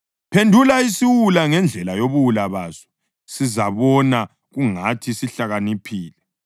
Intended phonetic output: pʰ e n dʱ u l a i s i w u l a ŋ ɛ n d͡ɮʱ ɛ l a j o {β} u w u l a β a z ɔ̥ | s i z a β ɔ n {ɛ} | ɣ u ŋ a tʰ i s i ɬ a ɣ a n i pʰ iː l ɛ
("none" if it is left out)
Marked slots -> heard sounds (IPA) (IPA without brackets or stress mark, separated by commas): β, a